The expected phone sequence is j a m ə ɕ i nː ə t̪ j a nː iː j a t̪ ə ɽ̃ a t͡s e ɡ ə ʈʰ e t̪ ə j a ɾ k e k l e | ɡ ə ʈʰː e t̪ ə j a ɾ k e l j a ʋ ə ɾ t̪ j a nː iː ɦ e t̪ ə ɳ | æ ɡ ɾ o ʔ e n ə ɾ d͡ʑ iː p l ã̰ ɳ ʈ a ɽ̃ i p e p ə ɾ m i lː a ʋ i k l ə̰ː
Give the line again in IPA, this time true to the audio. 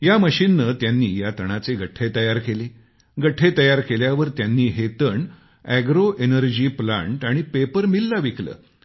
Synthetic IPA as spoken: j a m ə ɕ i nː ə t̪ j a nː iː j a t̪ ə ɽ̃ a t͡s e ɡ ə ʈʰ e t̪ ə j a ɾ k e l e | ɡ ə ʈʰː e t̪ ə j a ɾ k e l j a ʋ ə ɾ t̪ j a nː iː ɦ e t̪ ə ɳ | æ ɡ ɾ o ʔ e n ə ɾ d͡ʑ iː p l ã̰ ɳ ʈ a ɽ̃ i p e p ə ɾ m i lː a ʋ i k l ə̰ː